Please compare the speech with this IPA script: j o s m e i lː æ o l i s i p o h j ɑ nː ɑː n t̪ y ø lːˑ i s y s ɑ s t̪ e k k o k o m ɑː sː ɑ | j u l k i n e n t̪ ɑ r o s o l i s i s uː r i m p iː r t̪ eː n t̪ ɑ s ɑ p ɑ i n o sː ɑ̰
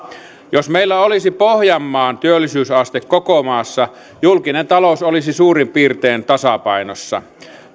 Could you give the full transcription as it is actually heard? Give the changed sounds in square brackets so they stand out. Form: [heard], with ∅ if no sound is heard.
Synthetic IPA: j o s m e i lː æ o l i s i p o h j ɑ [mː] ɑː n t̪ y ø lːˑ i s [yː] s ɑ s t̪ e k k o k o m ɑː sː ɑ | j u l k i n e n t̪ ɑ [l] o s o l i s i s uː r i m p iː r t̪ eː n t̪ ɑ s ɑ p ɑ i n o sː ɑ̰